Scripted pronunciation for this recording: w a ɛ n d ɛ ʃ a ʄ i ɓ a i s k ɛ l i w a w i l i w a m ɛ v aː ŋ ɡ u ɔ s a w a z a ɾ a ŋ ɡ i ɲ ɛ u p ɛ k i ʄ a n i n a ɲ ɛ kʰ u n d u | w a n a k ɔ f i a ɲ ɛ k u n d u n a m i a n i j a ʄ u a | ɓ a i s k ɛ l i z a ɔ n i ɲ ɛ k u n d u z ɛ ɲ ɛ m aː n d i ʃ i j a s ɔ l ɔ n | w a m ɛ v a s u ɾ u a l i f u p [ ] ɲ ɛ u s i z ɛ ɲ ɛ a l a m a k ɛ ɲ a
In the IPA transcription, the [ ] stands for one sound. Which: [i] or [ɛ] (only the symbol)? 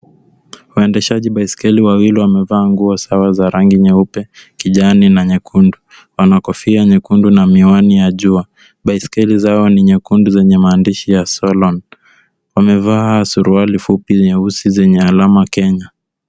i